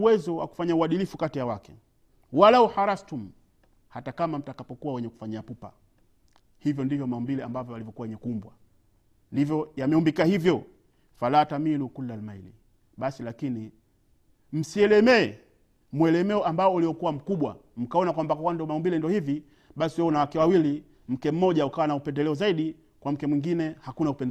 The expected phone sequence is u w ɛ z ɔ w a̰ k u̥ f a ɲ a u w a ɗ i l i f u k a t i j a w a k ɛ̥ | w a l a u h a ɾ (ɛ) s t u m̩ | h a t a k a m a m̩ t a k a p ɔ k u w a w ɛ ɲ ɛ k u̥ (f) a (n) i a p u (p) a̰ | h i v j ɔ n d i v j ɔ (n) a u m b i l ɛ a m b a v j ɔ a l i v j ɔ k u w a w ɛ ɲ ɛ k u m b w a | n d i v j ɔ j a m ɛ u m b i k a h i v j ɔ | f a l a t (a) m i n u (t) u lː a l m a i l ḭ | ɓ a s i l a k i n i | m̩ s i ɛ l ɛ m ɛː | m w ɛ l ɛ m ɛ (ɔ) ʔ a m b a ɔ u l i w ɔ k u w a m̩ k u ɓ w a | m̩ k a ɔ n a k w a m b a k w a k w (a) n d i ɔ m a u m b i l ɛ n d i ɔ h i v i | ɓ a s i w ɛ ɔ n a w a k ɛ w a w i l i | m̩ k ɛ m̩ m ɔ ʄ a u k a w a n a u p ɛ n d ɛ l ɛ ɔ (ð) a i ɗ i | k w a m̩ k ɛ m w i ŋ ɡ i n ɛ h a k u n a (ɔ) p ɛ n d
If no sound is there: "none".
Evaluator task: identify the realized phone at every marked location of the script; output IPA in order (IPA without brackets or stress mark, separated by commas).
a, f, ɲ, p, m, a, k, ɔ, a, z, u